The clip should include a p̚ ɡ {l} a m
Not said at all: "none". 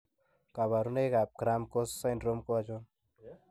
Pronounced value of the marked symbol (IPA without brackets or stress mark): ɾ